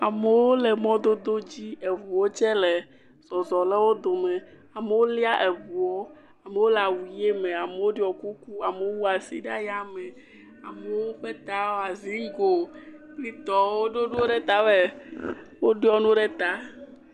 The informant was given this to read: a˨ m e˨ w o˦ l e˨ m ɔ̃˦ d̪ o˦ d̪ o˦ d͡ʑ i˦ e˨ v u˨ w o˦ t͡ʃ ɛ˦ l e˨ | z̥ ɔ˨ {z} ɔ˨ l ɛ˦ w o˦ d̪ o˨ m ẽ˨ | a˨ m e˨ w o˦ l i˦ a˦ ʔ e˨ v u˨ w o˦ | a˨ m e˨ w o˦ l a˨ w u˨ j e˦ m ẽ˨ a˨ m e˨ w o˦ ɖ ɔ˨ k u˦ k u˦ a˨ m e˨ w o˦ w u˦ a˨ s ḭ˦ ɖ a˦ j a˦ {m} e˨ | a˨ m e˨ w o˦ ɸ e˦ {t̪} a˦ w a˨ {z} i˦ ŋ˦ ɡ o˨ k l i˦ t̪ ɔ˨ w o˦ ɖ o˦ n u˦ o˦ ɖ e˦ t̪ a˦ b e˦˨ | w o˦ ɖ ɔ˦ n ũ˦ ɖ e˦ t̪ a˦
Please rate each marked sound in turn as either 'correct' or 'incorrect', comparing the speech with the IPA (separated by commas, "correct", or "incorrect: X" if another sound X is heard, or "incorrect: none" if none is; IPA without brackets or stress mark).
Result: correct, correct, correct, correct